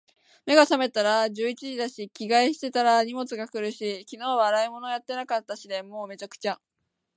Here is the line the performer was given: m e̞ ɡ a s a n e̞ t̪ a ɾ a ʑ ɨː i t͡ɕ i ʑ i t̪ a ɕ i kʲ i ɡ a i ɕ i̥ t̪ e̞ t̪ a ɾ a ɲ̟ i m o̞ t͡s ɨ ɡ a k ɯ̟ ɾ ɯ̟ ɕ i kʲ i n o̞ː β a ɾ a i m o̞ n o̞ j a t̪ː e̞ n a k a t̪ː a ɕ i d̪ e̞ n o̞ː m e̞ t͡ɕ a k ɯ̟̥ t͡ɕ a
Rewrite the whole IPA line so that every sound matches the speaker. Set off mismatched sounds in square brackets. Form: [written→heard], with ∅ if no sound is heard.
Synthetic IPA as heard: m e̞ ɡ a s a [n→m] e̞ t̪ a ɾ a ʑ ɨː i t͡ɕ i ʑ i [t̪→d̪] a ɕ i kʲ i ɡ a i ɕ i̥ t̪ e̞ t̪ a ɾ a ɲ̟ i m o̞ t͡s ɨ ɡ a k ɯ̟ ɾ ɯ̟ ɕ i kʲ i n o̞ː β a ɾ a i m o̞ n o̞ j a t̪ː e̞ n a k a t̪ː a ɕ i d̪ e̞ [n→m] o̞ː m e̞ t͡ɕ a k ɯ̟̥ t͡ɕ a